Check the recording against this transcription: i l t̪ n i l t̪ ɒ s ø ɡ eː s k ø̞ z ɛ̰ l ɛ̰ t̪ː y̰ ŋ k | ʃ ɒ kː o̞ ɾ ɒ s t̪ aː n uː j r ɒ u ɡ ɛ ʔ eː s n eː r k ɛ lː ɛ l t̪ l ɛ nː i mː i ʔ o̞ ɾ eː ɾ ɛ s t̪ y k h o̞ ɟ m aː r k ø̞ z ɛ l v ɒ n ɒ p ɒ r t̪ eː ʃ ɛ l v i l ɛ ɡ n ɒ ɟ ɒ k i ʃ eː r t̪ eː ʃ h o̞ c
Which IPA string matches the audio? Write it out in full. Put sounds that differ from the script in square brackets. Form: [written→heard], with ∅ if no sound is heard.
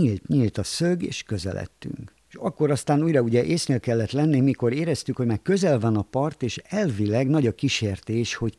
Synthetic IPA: i l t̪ [n→ɲ] i l t̪ ɒ s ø ɡ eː [s→ʃ] k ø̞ z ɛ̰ l ɛ̰ t̪ː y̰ ŋ k | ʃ ɒ kː o̞ ɾ ɒ s t̪ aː n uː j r ɒ u [ɡ→ɟ] ɛ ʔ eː s n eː [r→l] k ɛ lː ɛ [l→∅] t̪ l ɛ nː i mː i [ʔ→k] o̞ ɾ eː ɾ ɛ s t̪ y k h o̞ ɟ m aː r k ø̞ z ɛ l v ɒ n ɒ p ɒ r t̪ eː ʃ ɛ l v i l ɛ ɡ n ɒ ɟ ɒ k i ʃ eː r t̪ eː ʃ h o̞ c